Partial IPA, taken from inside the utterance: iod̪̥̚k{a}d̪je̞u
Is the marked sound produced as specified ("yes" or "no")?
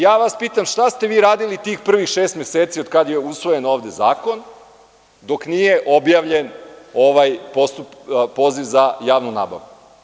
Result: yes